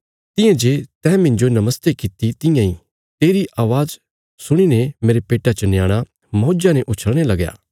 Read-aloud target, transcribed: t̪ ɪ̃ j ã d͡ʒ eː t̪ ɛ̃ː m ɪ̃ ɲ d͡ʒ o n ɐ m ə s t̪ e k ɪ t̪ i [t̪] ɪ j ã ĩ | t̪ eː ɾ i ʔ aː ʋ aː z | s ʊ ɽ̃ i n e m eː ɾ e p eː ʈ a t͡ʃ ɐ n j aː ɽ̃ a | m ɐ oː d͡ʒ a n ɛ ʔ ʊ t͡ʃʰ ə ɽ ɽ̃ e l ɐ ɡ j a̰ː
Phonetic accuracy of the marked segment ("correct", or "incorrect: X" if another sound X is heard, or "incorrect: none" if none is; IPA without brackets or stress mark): correct